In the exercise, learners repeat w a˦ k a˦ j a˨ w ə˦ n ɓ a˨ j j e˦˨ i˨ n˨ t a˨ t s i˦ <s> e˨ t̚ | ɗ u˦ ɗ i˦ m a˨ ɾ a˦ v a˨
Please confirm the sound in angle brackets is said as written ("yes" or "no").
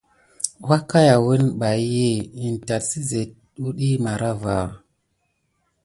no